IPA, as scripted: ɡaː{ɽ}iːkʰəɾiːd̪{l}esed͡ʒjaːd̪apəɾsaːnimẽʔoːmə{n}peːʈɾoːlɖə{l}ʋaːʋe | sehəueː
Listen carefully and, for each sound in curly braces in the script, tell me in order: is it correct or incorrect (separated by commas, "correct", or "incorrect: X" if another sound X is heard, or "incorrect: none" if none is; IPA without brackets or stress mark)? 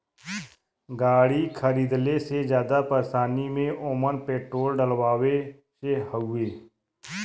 correct, correct, correct, correct